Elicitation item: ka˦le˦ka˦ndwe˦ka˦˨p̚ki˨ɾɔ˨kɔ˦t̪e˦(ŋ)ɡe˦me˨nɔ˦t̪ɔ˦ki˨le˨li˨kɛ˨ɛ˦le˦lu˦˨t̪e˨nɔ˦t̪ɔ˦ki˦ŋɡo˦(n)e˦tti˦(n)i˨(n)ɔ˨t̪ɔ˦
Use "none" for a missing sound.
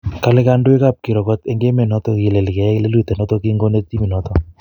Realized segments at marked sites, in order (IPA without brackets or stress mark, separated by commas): ŋ, n, m, n